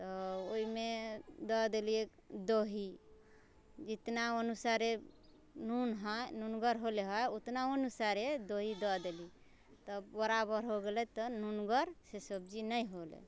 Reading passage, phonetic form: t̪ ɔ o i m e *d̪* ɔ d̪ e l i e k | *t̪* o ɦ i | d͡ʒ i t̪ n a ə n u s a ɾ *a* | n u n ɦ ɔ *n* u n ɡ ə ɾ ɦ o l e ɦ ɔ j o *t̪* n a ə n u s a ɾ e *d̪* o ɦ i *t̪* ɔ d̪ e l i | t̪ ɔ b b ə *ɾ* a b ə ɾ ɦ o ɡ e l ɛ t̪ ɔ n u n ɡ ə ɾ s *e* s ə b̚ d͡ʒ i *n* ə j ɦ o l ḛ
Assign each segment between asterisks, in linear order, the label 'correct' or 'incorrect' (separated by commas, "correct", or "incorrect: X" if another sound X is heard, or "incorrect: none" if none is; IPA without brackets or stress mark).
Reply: correct, incorrect: d̪, incorrect: e, correct, correct, correct, incorrect: d̪, correct, correct, correct